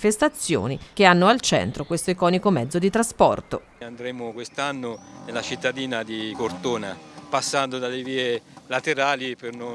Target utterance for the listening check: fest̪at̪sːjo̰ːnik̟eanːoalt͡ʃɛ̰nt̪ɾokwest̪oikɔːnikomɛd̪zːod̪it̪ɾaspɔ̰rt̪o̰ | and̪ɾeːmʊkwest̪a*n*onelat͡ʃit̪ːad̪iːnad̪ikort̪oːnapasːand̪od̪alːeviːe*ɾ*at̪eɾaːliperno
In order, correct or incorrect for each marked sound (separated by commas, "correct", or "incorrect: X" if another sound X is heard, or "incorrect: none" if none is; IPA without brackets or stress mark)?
incorrect: nː, incorrect: l